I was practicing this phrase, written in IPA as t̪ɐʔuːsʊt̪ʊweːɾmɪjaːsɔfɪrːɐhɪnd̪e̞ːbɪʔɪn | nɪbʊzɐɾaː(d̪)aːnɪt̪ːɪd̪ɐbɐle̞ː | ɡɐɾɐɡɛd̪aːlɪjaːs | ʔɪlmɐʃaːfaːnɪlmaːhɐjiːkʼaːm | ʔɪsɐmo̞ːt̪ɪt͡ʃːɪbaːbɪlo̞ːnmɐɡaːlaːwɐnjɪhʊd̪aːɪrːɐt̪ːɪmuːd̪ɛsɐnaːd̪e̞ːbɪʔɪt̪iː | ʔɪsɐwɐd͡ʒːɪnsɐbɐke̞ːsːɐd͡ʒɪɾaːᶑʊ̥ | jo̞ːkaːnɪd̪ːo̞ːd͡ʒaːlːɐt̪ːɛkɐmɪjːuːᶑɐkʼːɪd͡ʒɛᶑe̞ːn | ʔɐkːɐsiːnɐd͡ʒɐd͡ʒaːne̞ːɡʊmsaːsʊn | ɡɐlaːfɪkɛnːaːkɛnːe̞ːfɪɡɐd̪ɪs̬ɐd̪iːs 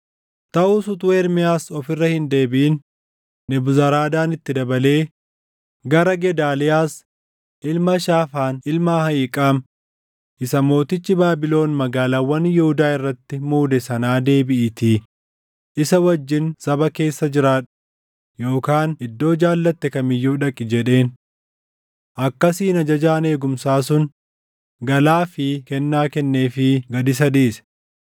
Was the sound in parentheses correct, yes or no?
yes